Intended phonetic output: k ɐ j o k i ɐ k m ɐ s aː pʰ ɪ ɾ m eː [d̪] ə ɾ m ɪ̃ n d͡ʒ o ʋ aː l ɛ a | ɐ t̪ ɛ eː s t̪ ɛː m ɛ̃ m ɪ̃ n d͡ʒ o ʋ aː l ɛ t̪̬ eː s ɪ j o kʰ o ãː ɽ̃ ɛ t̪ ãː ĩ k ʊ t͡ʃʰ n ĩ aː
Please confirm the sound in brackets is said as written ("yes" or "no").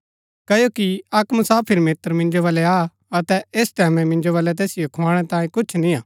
no